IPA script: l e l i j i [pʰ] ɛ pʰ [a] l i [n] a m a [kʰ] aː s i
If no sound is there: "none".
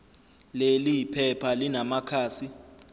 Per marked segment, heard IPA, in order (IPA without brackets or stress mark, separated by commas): pʰ, a, n, kʰ